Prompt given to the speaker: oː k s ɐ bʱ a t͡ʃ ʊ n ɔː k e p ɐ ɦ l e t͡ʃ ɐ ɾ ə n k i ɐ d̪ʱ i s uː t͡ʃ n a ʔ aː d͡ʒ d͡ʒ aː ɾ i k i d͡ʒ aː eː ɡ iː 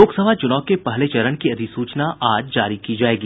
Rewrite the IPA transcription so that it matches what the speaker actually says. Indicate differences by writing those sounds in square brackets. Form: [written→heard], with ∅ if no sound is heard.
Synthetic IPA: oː k s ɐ bʱ a t͡ʃ ʊ n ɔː k e p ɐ ɦ l e t͡ʃ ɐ ɾ ə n k i ɐ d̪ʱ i s uː t͡ʃ n a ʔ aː d͡ʒ d͡ʒ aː ɾ i k i d͡ʒ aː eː ɡ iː